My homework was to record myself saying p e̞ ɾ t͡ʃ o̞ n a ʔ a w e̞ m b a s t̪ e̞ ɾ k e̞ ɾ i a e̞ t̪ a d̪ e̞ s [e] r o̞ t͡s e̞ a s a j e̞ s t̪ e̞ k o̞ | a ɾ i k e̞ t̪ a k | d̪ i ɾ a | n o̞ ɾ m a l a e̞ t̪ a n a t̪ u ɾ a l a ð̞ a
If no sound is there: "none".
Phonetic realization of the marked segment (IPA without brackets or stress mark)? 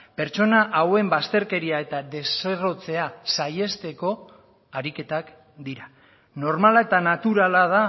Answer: e